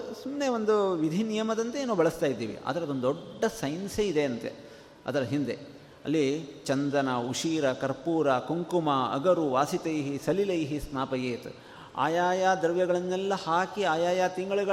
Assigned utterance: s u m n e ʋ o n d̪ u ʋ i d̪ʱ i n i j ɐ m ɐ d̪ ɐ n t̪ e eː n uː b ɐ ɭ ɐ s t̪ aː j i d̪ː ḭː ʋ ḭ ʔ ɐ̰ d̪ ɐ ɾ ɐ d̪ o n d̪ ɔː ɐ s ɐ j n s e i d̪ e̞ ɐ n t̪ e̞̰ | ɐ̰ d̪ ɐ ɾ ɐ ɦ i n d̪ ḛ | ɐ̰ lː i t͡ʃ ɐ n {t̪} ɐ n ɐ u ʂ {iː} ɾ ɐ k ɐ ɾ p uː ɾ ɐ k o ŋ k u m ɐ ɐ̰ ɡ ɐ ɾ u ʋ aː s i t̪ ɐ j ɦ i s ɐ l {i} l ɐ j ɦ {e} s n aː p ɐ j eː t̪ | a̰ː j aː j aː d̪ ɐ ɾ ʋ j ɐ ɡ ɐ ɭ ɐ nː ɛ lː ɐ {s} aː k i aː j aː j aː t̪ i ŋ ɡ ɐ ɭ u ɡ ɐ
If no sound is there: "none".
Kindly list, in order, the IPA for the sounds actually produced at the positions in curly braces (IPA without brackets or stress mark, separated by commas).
d̪, iː, i, i, h